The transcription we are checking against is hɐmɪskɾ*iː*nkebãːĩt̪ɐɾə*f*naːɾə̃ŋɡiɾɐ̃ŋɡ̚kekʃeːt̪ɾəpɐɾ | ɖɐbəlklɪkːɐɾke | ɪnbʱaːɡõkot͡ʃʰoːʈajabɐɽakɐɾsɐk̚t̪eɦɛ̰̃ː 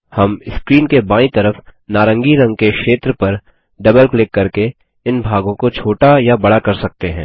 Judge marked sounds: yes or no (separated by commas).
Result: yes, yes